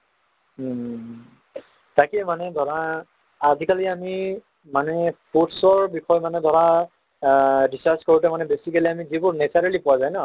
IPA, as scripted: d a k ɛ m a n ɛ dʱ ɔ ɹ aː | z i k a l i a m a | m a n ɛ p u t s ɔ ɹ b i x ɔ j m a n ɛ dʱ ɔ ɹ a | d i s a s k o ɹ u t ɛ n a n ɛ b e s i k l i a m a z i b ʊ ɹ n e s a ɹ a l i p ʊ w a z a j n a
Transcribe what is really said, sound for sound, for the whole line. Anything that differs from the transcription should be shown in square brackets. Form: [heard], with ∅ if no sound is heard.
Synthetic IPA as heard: [t] a k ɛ m a n ɛ dʱ ɔ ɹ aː | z i k a l i a m [i] | m a n ɛ p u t s ɔ ɹ b i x ɔ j m a n ɛ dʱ ɔ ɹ a | d i s a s k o ɹ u t ɛ [m] a n ɛ b e s i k l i a m [i] z i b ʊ ɹ n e s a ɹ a l i p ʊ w a z a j n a